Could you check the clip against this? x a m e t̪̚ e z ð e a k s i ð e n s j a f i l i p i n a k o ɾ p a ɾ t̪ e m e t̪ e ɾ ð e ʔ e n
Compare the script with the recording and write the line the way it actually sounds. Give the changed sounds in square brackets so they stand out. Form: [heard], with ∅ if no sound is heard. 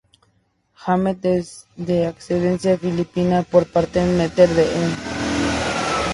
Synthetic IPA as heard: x a m e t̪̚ e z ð e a k s [e] ð e n s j a f i l i p i n a [p] o ɾ p a ɾ t̪ e m e t̪ e ɾ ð e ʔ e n

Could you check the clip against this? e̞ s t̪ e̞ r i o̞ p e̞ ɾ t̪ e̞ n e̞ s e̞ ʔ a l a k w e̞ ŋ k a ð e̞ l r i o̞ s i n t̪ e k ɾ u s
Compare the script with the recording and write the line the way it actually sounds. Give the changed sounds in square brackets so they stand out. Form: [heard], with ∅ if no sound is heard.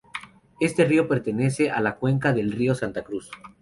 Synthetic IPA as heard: e̞ s t̪ e̞ r i o̞ p e̞ ɾ t̪ e̞ n e̞ s e̞ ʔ a l a k w e̞ ŋ k a ð e̞ l r i o̞ s [a] n t̪ [a] k ɾ u s

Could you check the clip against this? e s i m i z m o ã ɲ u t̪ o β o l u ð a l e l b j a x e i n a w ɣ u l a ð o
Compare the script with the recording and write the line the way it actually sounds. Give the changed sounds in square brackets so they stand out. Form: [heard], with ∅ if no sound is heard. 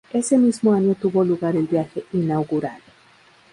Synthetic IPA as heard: e s [e] m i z m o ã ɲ [o] t̪ [u] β o l u [ɣ] a [ɾ] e l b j a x e i n a w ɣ u [ɾ] a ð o

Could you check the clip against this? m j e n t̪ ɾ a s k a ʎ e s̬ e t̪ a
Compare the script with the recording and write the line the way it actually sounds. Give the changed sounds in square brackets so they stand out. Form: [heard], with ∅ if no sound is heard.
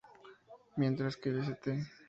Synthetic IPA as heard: m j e n t̪ ɾ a s k [e] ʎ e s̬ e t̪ [e]

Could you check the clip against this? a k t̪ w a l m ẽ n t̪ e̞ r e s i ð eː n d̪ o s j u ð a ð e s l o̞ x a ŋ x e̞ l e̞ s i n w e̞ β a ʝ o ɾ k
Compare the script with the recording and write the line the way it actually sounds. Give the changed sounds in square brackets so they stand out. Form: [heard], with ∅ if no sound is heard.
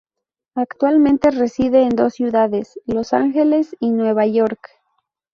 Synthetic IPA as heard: a k t̪ w a l m ẽ n t̪ e̞ r e s i ð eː n d̪ o s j u ð a ð e s l o̞ [s] a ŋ x e̞ l e̞ s i n w e̞ β a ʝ o ɾ k

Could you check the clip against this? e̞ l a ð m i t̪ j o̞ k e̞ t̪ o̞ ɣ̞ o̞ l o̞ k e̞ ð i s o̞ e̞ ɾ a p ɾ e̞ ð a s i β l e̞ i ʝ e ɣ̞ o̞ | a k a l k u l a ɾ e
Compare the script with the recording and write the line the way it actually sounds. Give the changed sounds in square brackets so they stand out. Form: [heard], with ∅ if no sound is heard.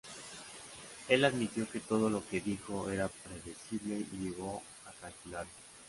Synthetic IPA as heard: e̞ l a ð m i t̪ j o̞ k e̞ t̪ o̞ [ð̞] o̞ l o̞ k e̞ ð i [x] o̞ e̞ ɾ a p ɾ e̞ ð [e] s i β l e̞ i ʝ e ɣ̞ o̞ | a k a l k u l a ɾ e

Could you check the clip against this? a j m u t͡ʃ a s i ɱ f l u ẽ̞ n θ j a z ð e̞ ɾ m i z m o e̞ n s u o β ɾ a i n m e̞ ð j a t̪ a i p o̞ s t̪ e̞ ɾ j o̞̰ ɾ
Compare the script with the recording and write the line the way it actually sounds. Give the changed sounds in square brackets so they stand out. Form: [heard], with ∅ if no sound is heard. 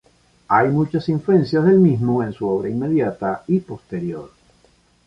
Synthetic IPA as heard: a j m u t͡ʃ a s i ɱ f l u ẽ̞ n [s] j a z ð e̞ [l] m i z m o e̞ n s u o β ɾ a i n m e̞ ð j a t̪ a i p o̞ s t̪ e̞ ɾ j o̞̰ ɾ

